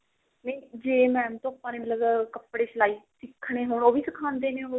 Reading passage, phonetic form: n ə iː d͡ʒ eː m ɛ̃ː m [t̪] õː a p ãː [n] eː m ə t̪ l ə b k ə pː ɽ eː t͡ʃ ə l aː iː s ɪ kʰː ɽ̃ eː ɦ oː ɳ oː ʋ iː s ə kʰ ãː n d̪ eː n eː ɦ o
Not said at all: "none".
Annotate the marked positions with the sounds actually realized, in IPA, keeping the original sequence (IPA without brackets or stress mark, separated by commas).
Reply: t̪, n